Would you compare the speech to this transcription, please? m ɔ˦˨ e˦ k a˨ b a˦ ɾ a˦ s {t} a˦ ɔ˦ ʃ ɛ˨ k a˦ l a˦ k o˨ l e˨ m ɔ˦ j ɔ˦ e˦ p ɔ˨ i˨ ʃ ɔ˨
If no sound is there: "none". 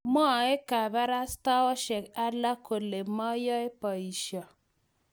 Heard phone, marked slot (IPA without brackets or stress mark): t